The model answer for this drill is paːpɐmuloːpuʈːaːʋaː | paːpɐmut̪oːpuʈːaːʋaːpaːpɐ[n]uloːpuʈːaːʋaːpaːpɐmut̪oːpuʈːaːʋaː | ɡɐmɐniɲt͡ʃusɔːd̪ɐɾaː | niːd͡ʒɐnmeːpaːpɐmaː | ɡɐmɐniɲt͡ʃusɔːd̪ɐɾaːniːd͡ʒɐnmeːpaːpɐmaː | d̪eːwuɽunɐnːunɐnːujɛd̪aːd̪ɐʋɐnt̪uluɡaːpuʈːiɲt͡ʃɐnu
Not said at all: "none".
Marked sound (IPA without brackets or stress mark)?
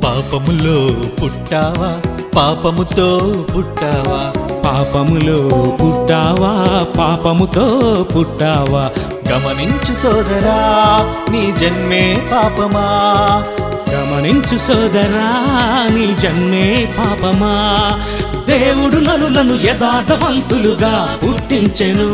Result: m